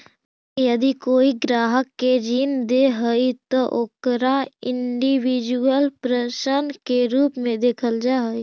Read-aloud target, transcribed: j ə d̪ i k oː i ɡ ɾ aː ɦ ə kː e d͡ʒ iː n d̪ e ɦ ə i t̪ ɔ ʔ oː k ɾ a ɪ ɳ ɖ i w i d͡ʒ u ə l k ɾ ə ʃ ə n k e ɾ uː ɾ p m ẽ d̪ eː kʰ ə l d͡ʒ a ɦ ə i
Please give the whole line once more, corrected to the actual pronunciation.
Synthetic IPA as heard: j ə d̪ i k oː i ɡ ɾ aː ɦ ə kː e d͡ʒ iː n d̪ e ɦ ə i t̪ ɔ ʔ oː k ɾ a ɪ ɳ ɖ i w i d͡ʒ u ə l p ɾ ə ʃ ə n k e ɾ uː p m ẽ d̪ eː kʰ ə l d͡ʒ a ɦ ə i